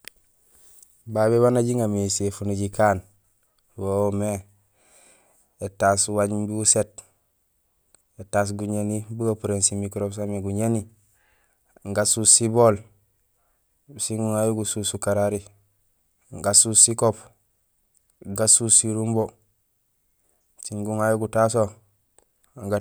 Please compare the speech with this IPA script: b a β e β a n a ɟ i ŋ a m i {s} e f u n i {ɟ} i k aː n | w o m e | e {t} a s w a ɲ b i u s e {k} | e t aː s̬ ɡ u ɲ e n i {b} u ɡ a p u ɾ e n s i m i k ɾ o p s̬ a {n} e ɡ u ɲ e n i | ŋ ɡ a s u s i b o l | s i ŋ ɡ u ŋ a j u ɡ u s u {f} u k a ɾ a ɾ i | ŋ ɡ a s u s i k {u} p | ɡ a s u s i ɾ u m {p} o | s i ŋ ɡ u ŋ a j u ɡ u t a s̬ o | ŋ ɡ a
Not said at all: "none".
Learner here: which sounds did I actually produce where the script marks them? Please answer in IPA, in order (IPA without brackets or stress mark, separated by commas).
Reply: s, ɟ, t, t, b, m, s, o, b